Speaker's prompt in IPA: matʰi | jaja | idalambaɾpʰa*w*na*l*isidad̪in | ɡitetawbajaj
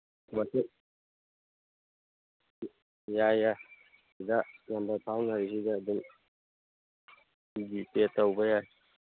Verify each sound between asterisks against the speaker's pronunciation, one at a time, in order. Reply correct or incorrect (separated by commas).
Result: correct, incorrect